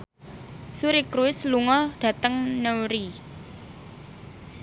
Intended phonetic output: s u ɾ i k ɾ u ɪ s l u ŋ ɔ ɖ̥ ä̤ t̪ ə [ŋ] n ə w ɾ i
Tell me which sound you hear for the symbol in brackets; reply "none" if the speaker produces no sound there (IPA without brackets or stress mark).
ŋ